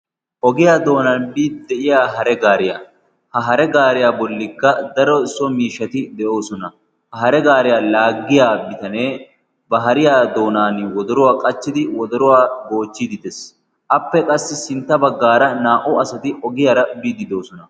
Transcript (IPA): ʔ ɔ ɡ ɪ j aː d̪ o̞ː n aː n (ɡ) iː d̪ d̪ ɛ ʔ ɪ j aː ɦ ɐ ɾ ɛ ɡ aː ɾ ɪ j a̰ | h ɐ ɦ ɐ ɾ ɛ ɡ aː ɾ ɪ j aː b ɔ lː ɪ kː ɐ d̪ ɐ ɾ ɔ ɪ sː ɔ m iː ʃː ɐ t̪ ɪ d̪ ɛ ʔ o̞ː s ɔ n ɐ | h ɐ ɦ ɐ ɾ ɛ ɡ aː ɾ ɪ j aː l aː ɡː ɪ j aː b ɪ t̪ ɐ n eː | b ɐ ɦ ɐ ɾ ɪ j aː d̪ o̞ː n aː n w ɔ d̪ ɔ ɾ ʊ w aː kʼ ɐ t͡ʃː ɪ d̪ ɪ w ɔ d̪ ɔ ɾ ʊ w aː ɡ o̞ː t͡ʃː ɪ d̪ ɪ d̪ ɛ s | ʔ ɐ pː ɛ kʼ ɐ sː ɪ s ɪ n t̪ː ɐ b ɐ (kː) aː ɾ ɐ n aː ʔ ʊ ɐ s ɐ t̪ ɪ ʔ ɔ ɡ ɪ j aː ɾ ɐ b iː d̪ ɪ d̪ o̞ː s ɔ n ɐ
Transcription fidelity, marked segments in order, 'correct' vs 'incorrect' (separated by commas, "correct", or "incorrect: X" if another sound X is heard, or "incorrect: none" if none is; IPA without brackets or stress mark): incorrect: b, incorrect: ɡː